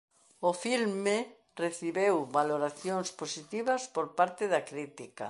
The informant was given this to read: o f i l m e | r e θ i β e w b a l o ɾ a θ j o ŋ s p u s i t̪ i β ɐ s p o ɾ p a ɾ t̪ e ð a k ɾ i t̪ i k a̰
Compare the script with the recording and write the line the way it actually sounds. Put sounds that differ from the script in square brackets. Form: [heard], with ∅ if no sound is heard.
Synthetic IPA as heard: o f i l m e | r e θ i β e w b a l o ɾ a θ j o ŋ s p [o] s i t̪ i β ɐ s p o ɾ p a ɾ t̪ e ð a k ɾ i t̪ i k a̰